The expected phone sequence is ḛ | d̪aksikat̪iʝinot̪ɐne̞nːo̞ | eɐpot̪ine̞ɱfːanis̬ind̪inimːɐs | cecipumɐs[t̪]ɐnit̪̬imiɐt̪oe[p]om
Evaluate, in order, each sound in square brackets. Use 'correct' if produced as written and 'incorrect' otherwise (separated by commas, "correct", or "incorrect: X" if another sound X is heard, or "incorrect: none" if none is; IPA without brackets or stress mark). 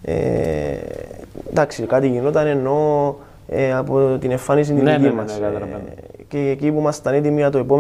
correct, correct